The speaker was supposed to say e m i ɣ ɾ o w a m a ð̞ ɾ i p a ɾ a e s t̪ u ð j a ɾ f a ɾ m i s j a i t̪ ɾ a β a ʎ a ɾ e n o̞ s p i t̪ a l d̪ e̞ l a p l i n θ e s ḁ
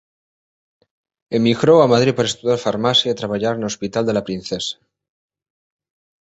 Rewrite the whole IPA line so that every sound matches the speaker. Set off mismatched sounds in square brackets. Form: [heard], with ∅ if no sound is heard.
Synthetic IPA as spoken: e m i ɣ ɾ o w a m a ð̞ ɾ i p a ɾ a e s t̪ u ð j a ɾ f a ɾ m [a] s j a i t̪ ɾ a β a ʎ a ɾ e n o̞ s p i t̪ a l d̪ e̞ l a p [ɾ] i n θ e s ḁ